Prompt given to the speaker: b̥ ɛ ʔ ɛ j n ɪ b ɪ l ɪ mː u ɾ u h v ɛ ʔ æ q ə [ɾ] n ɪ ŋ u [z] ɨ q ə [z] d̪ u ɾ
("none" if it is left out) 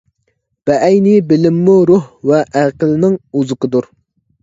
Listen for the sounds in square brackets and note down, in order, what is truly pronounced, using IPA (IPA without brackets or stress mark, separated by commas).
l, z, none